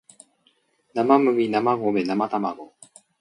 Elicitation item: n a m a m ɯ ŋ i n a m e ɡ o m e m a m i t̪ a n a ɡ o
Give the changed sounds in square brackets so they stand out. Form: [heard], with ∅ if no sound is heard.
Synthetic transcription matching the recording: n a m a m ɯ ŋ i n a m [a] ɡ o m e [n] a m [a] t̪ a [m] a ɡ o